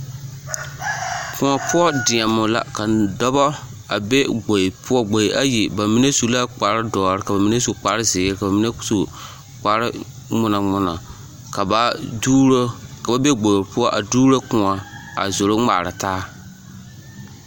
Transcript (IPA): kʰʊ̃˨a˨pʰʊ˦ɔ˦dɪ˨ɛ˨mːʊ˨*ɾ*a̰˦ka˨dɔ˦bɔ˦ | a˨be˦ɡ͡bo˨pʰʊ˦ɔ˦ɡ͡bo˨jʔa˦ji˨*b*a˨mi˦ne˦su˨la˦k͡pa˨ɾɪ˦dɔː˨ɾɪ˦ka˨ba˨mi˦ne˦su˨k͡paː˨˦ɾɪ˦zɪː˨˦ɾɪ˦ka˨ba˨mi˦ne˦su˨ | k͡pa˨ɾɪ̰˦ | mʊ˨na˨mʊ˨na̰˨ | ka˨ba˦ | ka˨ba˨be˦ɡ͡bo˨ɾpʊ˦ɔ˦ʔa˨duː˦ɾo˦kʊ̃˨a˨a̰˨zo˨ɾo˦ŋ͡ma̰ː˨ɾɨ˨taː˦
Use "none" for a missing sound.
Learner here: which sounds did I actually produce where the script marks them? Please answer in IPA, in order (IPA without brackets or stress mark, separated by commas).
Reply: l, b